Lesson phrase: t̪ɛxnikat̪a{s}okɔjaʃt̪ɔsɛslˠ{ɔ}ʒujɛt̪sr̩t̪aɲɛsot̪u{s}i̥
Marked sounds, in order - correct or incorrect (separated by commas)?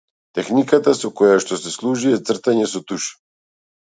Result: correct, incorrect, incorrect